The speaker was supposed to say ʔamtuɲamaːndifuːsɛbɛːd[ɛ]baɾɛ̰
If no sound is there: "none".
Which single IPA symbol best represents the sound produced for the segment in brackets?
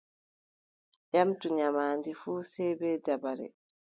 a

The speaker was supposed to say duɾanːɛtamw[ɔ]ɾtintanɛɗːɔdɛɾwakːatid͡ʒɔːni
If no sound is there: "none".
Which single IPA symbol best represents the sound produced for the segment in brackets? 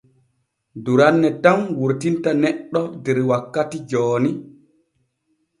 u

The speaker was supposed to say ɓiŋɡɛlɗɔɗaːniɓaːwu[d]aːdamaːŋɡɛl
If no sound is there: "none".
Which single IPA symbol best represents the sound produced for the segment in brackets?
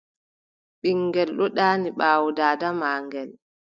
d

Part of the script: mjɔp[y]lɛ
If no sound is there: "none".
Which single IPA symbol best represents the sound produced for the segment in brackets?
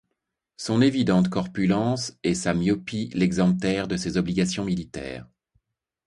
i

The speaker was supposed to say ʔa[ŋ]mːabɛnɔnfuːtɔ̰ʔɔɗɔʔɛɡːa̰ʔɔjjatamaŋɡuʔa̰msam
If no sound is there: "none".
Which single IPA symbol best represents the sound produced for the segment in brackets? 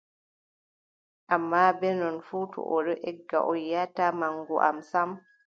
none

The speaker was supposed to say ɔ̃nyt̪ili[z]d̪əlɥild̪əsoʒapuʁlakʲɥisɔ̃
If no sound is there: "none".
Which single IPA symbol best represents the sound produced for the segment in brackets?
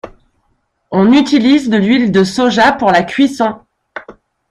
z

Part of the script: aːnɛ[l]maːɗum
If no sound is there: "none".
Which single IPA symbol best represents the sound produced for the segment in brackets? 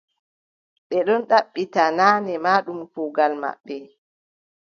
none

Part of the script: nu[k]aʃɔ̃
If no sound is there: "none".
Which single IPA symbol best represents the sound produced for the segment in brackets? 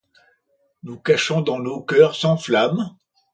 k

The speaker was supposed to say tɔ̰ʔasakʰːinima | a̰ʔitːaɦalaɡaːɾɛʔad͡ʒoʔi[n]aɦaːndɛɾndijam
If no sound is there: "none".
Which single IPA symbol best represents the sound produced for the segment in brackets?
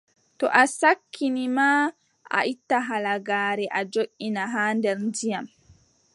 n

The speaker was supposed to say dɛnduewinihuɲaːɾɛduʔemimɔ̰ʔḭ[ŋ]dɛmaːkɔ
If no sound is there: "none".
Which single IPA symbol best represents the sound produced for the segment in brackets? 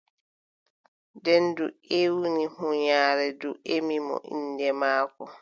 n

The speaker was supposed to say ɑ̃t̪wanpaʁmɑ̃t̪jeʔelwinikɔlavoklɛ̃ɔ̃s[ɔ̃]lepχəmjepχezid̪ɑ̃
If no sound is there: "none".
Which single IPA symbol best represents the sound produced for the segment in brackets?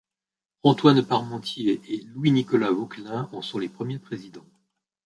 ɔ̃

